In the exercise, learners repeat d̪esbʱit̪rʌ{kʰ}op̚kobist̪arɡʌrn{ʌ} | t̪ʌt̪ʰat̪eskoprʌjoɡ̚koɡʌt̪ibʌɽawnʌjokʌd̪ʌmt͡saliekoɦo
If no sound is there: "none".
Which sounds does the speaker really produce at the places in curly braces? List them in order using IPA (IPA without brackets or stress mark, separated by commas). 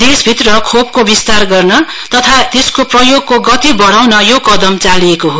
kʰ, ʌ